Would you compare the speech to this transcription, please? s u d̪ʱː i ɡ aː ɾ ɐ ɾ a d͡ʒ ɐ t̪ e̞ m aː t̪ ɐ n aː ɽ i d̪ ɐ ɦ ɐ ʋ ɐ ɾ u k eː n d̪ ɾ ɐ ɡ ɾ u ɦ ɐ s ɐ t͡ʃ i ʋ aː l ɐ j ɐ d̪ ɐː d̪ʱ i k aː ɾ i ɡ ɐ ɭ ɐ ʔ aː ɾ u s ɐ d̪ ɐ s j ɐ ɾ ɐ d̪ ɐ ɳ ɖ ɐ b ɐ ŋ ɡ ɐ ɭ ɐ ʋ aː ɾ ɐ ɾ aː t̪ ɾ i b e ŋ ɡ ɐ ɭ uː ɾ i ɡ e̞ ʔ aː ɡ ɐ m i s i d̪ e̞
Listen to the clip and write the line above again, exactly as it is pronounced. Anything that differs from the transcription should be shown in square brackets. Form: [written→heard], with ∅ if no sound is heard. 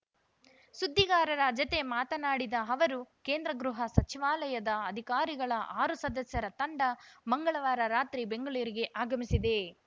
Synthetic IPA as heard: s u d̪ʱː i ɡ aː ɾ ɐ ɾ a d͡ʒ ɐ t̪ e̞ m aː t̪ ɐ n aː ɽ i d̪ ɐ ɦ ɐ ʋ ɐ ɾ u k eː n d̪ ɾ ɐ ɡ ɾ u ɦ ɐ s ɐ t͡ʃ i ʋ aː l ɐ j ɐ d̪ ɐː d̪ʱ i k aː ɾ i ɡ ɐ ɭ ɐ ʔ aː ɾ u s ɐ d̪ ɐ s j ɐ ɾ ɐ [d̪→t̪] ɐ ɳ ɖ ɐ [b→m] ɐ ŋ ɡ ɐ ɭ ɐ ʋ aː ɾ ɐ ɾ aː t̪ ɾ i b e ŋ ɡ ɐ ɭ uː ɾ i ɡ e̞ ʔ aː ɡ ɐ m i s i d̪ e̞